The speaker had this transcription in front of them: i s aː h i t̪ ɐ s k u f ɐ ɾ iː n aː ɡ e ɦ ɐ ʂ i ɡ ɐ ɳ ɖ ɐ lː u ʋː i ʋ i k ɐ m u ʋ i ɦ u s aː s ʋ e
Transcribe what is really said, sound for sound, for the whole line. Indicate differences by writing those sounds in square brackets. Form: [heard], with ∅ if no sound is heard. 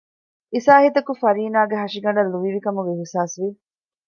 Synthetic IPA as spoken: i s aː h i t̪ ɐ [∅] k u f ɐ ɾ iː n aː ɡ e ɦ ɐ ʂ i ɡ ɐ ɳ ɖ ɐ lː u [ʋ] i ʋ i k ɐ m u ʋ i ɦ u s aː s ʋ [i]

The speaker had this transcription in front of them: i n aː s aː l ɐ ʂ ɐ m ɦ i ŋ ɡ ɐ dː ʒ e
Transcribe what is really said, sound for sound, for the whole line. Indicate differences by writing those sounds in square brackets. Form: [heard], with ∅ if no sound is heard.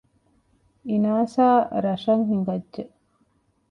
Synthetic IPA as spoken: i n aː s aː [ɾ] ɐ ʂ ɐ [ŋ] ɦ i ŋ ɡ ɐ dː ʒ e

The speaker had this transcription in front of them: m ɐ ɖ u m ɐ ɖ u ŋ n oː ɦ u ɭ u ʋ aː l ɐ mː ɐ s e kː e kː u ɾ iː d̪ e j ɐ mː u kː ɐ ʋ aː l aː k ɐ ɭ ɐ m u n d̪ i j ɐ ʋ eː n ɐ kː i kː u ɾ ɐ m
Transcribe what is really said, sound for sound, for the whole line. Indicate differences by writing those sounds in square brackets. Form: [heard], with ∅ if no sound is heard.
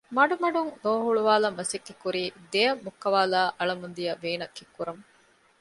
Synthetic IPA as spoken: m ɐ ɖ u m ɐ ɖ u ŋ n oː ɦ u ɭ u ʋ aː l ɐ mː ɐ s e kː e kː u ɾ iː d̪ e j ɐ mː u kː ɐ ʋ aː l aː [ʔ] ɐ ɭ ɐ m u n d̪ i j ɐ ʋ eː n ɐ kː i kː u ɾ ɐ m

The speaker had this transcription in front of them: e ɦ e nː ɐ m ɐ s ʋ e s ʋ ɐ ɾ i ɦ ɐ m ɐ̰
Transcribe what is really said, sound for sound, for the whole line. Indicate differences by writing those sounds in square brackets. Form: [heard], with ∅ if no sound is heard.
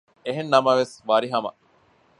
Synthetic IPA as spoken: e ɦ e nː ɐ m ɐ [∅] ʋ e s ʋ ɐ ɾ i ɦ ɐ m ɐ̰

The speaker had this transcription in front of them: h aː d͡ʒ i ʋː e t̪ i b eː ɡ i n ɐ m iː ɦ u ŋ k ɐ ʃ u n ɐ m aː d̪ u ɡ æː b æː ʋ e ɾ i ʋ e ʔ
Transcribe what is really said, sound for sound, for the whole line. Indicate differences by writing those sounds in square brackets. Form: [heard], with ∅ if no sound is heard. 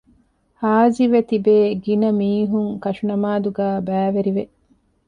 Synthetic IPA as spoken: h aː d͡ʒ i [ʋ] e t̪ i b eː ɡ i n ɐ m iː ɦ u ŋ k ɐ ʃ u n ɐ m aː d̪ u ɡ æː b æː ʋ e ɾ i ʋ e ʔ

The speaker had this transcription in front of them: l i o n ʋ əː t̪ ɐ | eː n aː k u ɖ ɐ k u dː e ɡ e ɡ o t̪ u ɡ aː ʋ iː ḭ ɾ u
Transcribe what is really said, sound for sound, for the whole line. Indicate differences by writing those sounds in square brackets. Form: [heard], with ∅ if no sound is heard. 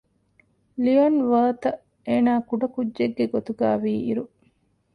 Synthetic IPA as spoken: l i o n ʋ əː t̪ ɐ | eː n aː k u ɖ ɐ k u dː e [ɡː] e ɡ o t̪ u ɡ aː ʋ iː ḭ ɾ u

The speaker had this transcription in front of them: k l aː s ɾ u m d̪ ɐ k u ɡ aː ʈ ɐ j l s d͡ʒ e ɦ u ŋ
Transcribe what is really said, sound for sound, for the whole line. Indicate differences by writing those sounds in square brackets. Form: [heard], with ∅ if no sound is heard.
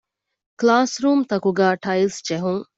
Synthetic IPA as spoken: k l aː s ɾ [uː] m [t̪] ɐ k u ɡ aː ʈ ɐ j l s d͡ʒ e ɦ u ŋ

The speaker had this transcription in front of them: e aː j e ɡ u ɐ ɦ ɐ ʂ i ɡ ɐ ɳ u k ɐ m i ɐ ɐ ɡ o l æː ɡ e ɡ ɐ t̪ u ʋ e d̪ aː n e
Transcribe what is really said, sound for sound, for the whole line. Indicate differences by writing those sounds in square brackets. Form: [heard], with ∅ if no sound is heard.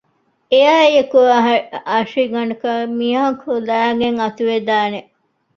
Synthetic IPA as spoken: e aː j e [k] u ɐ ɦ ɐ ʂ i ɡ ɐ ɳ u k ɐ m i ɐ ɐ [k] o l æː ɡ e [ŋ] ɐ t̪ u ʋ e d̪ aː n e

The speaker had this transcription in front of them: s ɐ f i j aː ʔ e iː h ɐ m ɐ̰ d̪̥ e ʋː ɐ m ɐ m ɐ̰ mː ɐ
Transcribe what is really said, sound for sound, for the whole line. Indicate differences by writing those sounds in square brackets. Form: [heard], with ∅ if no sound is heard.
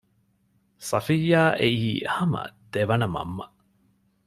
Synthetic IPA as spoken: s ɐ f i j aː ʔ e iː h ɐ m ɐ̰ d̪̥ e [ʋ] ɐ [n] ɐ m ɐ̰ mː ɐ

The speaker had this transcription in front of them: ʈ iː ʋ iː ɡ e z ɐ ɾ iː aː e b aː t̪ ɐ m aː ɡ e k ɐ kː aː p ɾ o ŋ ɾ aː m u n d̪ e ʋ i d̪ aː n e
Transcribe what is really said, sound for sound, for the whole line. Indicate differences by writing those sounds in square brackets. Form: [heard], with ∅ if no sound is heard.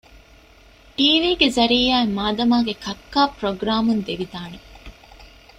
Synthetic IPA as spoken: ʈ iː ʋ iː ɡ e z ɐ ɾ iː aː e [m] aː [d̪] ɐ m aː ɡ e k ɐ kː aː p ɾ o [ɡ] ɾ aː m u n d̪ e ʋ i d̪ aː n e

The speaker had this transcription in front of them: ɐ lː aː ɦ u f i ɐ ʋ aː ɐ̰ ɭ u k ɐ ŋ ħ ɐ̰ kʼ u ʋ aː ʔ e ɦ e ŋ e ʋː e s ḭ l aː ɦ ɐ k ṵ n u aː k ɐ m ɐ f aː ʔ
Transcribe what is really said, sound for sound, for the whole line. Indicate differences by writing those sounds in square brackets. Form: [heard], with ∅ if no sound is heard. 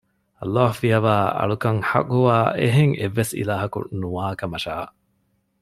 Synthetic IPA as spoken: ɐ lː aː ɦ u f i ɐ ʋ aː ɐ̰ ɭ u k ɐ ŋ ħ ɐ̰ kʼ u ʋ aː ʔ e ɦ e ŋ e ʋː e s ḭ l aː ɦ ɐ k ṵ n u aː k ɐ m ɐ [ʃ] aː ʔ

